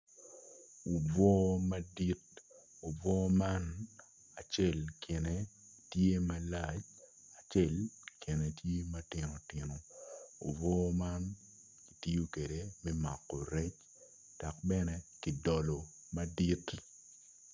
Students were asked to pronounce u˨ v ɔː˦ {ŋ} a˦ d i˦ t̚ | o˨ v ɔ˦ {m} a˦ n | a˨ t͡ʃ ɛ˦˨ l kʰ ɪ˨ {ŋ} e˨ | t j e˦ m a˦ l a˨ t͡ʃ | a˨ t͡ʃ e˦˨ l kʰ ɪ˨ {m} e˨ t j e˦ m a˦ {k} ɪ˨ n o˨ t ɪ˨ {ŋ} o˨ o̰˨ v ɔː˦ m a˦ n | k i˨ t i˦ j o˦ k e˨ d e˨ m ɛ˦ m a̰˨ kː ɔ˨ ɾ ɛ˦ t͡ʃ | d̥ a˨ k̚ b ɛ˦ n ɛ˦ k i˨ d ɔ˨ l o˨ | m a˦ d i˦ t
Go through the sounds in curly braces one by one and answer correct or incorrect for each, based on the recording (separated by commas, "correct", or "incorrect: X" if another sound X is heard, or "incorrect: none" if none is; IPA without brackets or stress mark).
incorrect: m, correct, incorrect: n, incorrect: n, incorrect: t, incorrect: n